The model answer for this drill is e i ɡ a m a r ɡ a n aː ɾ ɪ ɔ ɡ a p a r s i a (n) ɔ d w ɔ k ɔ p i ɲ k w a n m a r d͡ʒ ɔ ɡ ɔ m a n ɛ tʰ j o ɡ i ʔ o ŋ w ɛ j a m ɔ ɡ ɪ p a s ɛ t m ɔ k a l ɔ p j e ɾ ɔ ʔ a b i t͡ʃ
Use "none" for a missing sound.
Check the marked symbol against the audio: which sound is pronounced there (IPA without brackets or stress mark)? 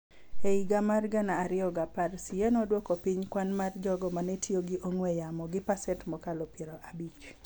n